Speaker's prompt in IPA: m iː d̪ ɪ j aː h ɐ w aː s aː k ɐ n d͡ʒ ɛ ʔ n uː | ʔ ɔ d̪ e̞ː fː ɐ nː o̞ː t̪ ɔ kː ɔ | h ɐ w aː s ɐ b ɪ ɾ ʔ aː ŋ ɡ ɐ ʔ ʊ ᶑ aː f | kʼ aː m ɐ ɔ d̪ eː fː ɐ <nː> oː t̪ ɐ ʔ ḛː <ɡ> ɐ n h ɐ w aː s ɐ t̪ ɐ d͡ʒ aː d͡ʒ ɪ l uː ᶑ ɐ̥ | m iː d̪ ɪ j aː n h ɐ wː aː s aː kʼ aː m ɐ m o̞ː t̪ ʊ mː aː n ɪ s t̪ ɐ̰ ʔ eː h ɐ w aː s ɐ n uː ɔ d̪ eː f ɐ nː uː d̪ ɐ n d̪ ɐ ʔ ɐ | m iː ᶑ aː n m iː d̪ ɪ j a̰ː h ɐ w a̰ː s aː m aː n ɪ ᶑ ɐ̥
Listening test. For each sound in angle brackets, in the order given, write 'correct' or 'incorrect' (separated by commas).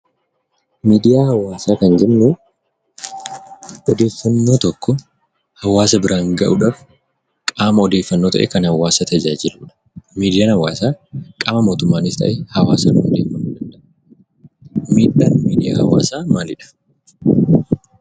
correct, incorrect